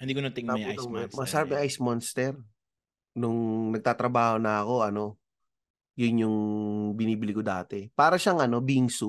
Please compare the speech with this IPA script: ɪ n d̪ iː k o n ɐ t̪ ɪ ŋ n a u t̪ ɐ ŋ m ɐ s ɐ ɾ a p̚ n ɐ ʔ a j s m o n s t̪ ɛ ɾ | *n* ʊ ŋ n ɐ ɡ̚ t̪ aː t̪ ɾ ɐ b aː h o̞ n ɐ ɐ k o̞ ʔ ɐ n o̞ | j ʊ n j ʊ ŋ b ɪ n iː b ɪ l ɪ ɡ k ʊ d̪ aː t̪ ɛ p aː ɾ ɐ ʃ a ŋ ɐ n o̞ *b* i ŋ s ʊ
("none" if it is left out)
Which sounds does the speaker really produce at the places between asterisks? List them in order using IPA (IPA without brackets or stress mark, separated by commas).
n, b